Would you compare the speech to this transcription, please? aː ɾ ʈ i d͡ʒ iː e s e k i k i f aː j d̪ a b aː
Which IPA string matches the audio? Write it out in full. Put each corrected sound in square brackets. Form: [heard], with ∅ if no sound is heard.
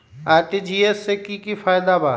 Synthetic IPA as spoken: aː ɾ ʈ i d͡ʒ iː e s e k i k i f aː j d̪ a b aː